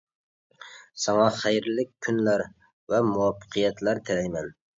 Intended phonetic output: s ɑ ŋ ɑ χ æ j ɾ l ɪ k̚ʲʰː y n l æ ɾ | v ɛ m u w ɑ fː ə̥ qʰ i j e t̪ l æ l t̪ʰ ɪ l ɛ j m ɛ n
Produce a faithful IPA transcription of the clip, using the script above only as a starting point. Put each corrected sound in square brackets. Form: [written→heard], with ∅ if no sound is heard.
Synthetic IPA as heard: s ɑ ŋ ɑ χ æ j ɾ l ɪ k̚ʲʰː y n l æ ɾ | v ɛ m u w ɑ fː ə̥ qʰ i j [e→ɛ] t̪ l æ [l→ɾ] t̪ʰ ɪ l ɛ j m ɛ n